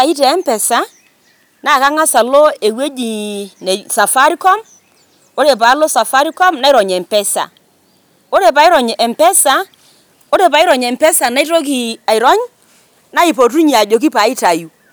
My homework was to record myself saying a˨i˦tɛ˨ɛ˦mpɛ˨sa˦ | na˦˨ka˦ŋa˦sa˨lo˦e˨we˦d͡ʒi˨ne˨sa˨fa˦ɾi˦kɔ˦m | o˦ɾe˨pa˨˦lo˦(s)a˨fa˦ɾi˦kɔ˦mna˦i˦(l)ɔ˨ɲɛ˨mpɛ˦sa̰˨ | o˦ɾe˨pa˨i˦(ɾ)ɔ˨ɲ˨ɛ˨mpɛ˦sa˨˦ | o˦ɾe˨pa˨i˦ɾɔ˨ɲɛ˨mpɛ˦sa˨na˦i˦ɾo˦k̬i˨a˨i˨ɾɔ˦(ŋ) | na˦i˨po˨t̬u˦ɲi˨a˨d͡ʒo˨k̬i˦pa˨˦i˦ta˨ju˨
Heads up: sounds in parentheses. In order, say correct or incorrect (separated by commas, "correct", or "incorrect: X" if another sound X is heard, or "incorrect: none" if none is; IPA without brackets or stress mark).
correct, incorrect: ɾ, correct, incorrect: ɲ